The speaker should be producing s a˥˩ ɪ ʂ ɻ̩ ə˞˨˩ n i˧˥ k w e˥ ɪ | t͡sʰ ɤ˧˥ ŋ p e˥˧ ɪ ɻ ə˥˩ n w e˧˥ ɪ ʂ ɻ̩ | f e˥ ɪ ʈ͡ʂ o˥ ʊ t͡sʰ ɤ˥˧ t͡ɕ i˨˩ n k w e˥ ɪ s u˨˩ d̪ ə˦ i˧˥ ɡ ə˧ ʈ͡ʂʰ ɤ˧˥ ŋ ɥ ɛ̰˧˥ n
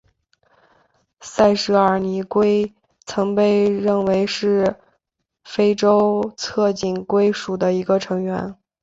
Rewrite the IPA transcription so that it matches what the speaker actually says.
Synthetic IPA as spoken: s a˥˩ ɪ ʂ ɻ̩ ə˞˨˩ n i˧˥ k w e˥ ɪ | t͡sʰ ɤ˧˥ ŋ p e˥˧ ɪ ɻ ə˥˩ n w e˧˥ ɪ ʂ ɻ̩ | f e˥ ɪ ʈ͡ʂ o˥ ʊ t͡sʰ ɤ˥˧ t͡ɕ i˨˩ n k w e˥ ɪ ʂ u˨˩ d̪ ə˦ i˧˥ ɡ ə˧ ʈ͡ʂʰ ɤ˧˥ ŋ ɥ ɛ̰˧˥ n

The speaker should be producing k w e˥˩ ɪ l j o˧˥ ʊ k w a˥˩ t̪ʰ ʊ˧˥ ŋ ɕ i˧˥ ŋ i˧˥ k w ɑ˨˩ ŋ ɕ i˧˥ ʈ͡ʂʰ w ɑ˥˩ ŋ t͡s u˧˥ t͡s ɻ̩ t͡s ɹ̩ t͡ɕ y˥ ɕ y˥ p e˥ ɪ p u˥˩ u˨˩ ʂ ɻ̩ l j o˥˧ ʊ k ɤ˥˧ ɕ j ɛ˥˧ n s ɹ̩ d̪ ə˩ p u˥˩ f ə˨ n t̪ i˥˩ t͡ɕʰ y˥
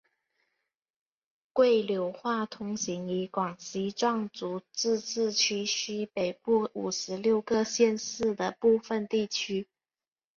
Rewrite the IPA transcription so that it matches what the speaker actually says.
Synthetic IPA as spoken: k w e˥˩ ɪ l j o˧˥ ʊ x w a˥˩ t̪ʰ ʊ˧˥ ŋ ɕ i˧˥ ŋ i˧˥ k w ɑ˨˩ ŋ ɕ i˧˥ ʈ͡ʂ w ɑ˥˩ ŋ t͡s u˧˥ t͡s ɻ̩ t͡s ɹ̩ t͡ɕʰ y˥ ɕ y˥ p e˨˩ ɪ p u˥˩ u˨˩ ʂ ɻ̩ l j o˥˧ ʊ k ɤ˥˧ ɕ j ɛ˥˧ n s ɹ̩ d̪ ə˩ p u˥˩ f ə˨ n t̪ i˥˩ t͡ɕʰ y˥

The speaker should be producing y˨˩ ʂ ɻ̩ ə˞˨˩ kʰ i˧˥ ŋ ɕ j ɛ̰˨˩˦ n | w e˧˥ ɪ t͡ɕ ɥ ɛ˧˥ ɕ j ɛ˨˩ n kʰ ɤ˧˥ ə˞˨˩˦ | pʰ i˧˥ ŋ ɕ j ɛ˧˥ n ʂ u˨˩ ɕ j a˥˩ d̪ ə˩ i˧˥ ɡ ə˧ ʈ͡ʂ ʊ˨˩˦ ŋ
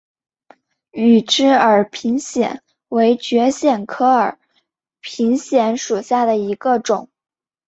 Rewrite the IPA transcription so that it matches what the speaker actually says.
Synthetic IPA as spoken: y˨˩ ʈ͡ʂ ɻ̩ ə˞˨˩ pʰ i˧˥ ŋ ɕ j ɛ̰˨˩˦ n | w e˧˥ ɪ t͡ɕ ɥ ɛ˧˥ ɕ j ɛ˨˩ n kʰ ɤ˥ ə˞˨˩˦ | pʰ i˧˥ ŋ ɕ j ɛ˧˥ n ʂ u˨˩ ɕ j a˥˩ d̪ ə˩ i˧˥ ɡ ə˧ ʈ͡ʂ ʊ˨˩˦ ŋ

